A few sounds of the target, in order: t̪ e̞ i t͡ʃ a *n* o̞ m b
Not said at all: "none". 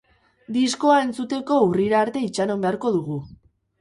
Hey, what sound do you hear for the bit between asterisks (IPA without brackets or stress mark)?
n